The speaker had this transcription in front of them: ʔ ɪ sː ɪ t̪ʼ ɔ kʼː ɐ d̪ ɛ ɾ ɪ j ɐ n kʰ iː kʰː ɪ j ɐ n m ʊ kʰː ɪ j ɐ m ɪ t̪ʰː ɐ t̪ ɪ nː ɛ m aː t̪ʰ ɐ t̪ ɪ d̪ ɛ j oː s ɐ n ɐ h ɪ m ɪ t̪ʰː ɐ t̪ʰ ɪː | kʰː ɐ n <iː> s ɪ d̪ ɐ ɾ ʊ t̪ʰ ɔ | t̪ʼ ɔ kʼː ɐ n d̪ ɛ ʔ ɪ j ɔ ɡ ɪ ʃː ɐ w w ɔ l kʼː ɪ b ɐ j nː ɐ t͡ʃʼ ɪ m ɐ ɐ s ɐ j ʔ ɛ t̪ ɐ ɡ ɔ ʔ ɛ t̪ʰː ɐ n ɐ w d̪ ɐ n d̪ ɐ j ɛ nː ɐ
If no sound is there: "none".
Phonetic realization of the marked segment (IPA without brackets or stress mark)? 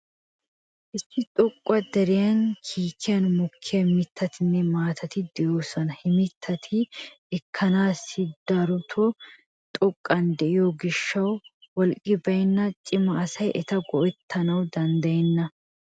aː